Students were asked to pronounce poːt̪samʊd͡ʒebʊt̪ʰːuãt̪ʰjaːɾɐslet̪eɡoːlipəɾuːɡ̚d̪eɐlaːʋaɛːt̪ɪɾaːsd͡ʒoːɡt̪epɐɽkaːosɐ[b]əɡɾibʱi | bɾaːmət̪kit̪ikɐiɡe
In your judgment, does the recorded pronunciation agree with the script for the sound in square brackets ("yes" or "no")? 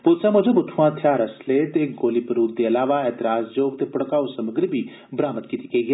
no